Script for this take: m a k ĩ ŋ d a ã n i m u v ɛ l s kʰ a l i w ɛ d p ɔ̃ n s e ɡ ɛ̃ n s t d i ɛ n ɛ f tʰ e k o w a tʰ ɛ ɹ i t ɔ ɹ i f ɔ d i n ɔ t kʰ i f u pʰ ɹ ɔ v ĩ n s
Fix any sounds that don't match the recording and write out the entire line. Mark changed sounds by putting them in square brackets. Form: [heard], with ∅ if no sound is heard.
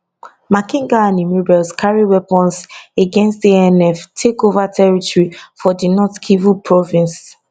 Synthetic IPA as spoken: m a k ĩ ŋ [ɡ] a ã n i m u [b] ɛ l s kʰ a [ɹ] i w ɛ [∅] p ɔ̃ n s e ɡ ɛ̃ n s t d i ɛ n ɛ f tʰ e k o [v] a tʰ ɛ ɹ i t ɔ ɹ i f ɔ d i n ɔ t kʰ i [v] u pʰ ɹ ɔ v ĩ n s